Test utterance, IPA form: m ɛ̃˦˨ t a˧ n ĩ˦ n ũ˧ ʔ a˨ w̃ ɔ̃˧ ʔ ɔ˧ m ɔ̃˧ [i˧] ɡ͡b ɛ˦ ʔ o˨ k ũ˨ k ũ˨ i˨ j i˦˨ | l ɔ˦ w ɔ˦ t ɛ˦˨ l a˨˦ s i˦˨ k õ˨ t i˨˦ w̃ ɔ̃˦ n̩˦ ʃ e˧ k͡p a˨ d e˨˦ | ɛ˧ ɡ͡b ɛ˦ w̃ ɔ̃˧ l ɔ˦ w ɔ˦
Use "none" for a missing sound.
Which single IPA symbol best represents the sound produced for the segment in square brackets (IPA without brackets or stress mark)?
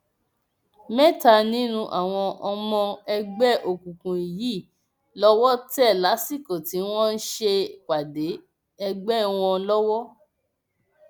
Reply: ɛ˧